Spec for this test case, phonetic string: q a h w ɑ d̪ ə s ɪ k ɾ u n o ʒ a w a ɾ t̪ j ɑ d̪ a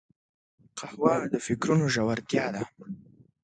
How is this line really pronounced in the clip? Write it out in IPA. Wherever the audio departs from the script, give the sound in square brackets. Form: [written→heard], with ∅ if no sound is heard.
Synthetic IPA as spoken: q a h w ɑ d̪ ə [s→f] ɪ k ɾ u n o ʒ a w a ɾ t̪ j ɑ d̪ a

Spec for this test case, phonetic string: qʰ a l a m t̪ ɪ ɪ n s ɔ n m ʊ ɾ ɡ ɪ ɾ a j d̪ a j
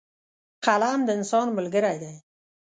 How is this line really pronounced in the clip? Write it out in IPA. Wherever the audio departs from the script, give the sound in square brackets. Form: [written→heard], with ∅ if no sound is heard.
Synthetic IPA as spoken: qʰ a l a m [t̪→d̪] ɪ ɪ n s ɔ n m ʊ [ɾ→l] ɡ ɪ ɾ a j d̪ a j

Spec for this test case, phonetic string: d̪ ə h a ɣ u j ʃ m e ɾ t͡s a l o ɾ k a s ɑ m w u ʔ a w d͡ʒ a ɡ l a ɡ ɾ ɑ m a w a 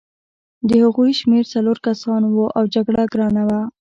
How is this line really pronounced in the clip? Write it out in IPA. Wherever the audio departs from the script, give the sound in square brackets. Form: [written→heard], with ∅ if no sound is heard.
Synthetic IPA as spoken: d̪ ə h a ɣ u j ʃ m e ɾ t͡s a l o ɾ k a s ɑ [m→n] w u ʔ a w d͡ʒ a ɡ [l→ɽ] a ɡ ɾ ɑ [m→n] a w a

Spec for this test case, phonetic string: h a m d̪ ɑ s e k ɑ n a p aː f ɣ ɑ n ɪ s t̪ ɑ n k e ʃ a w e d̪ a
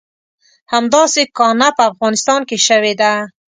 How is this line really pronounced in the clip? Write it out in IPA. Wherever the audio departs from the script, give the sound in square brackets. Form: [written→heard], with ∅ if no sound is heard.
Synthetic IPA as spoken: h a m d̪ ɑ s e k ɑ n a p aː f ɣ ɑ n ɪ s t̪ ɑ n k e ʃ a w e d̪ a

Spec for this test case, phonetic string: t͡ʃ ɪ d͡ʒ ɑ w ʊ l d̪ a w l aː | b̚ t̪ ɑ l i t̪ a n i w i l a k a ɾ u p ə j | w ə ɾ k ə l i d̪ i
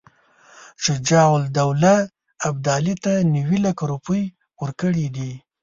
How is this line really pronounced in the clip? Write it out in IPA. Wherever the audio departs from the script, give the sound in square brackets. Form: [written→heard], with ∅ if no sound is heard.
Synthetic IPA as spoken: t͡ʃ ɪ d͡ʒ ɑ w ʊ l d̪ a w l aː | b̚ [t̪→d̪] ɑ l i t̪ a n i w i l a k a ɾ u p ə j | w ə ɾ k ə [l→ɽ] i d̪ i

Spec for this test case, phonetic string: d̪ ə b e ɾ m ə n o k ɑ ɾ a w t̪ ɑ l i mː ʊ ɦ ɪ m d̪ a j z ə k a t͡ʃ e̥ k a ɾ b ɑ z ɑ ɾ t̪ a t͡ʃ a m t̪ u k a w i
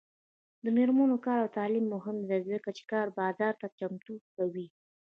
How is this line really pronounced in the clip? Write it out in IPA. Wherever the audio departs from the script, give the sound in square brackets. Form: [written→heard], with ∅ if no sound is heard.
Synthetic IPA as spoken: d̪ ə [b→m] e ɾ m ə n o k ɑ ɾ a w t̪ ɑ l i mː ʊ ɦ ɪ m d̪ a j z ə k a t͡ʃ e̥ k [a→ɑ] ɾ b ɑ z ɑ ɾ t̪ a t͡ʃ a m t̪ u k a w i

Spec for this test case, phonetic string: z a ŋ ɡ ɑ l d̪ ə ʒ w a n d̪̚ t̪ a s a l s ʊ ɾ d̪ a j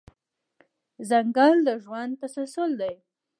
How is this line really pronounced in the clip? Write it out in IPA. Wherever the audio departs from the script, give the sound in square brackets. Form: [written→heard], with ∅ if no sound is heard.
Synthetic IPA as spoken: z a ŋ ɡ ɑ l d̪ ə ʒ w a n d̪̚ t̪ a s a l s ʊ [ɾ→l] d̪ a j

